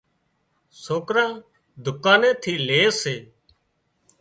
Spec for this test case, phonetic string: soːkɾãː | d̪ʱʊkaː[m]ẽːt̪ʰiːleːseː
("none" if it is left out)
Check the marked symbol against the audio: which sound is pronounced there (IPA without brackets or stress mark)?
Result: n